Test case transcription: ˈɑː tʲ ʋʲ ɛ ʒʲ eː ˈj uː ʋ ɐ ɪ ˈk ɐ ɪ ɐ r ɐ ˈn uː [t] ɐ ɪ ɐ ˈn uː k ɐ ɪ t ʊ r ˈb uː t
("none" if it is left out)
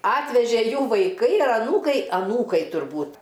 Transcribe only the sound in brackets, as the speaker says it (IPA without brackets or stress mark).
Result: k